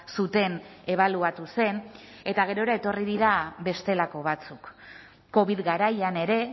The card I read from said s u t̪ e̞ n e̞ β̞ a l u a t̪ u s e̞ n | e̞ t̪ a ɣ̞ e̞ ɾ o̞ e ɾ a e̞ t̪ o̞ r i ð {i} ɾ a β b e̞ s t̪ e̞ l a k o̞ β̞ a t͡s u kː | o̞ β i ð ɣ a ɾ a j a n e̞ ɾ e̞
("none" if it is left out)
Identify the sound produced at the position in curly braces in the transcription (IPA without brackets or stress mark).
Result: i